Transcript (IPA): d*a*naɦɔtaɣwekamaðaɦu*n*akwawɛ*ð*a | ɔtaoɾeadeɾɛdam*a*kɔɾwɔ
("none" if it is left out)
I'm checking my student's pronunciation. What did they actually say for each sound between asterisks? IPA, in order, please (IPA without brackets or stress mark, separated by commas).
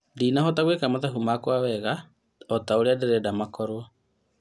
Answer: i, m, ɣ, a